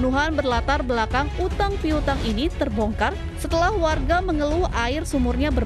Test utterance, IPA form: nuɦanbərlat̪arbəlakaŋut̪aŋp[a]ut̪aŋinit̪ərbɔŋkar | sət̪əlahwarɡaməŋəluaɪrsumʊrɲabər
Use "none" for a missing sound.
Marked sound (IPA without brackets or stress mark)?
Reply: i